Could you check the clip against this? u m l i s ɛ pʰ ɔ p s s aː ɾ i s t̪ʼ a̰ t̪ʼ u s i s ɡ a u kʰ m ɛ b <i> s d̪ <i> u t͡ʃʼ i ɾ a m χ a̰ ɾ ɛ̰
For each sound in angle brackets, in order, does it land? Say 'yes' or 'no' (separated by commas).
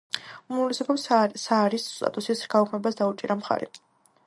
no, no